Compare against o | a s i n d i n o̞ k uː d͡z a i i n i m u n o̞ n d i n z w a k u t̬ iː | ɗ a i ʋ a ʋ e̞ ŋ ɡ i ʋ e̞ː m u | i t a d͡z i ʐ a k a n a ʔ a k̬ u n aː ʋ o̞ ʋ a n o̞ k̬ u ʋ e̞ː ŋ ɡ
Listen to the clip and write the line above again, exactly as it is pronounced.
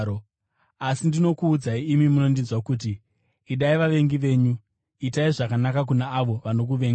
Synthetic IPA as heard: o | a s i n d i n o̞ k uː d͡z a i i m i m u n o̞ n d i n z w a k u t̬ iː | ɗ a i ʋ a ʋ e̞ ŋ ɡ i ʋ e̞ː ɲ u | i t a i ʐ a k a n a k a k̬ u n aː ʋ o̞ ʋ a n o̞ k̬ u ʋ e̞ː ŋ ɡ